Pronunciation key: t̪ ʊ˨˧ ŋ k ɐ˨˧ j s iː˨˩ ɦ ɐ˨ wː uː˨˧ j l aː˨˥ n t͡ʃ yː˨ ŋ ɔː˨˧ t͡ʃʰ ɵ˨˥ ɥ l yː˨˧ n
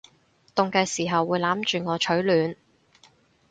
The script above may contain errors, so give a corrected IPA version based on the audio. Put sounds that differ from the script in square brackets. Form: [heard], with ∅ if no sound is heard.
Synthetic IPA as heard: t̪ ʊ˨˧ ŋ k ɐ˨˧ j s iː˨˩ ɦ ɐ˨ wː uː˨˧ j l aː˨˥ [m] t͡ʃ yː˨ ŋ ɔː˨˧ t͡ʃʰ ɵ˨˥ ɥ l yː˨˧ n